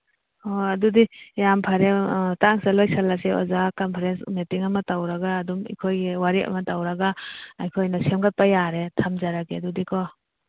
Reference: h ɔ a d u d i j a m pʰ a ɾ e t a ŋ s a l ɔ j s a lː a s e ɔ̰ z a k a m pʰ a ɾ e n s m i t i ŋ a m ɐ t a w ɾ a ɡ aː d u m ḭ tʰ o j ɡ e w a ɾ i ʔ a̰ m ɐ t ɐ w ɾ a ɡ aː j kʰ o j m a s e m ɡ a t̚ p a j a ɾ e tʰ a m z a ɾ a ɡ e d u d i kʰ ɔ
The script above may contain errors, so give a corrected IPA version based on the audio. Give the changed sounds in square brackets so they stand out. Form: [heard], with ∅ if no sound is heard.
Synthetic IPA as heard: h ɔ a d u d i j a m pʰ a ɾ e t a ŋ s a l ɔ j s a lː a s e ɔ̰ z a k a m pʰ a ɾ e n s m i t i ŋ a m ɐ t a w ɾ a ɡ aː d u m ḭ [kʰ] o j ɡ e w a ɾ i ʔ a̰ m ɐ t [a] w ɾ a ɡ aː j kʰ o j [n] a s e m ɡ a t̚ p a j a ɾ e tʰ a m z a ɾ a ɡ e d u d i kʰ ɔ